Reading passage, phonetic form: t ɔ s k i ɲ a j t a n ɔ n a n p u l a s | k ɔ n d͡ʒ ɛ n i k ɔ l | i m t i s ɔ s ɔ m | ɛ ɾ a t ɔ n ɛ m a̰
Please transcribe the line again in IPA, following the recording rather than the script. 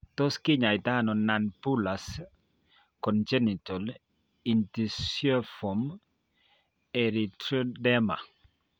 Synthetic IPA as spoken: t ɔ s k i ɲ a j t a n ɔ n a n p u l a s | k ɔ n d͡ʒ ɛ n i t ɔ l | i n t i s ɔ f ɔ m | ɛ ɾ i t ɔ d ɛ m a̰